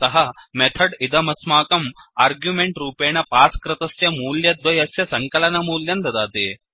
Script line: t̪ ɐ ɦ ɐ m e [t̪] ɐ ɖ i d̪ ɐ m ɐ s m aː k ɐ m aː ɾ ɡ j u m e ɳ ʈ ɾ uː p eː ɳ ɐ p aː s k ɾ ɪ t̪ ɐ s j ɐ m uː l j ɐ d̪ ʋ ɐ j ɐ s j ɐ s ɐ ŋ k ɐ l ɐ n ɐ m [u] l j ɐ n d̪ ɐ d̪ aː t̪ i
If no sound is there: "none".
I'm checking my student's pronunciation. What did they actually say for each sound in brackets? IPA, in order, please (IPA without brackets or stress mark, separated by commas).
t̪ʰ, uː